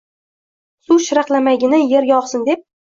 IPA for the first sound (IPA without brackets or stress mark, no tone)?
s